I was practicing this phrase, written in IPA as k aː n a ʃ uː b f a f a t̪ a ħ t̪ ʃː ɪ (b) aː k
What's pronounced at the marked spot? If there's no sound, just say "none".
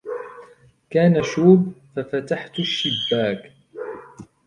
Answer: bː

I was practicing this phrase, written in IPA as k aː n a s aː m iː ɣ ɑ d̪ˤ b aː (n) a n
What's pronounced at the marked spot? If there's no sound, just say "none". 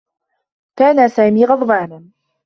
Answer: n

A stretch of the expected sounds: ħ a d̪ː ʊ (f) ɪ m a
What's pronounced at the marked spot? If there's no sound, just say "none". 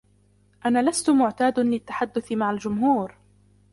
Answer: θ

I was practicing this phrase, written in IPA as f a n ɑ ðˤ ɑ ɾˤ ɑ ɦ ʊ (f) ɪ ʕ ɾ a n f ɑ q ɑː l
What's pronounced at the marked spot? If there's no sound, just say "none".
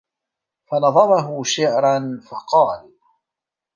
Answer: ʃ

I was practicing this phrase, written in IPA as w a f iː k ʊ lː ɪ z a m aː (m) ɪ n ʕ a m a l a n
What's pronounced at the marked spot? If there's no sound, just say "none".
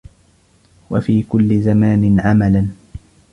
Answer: n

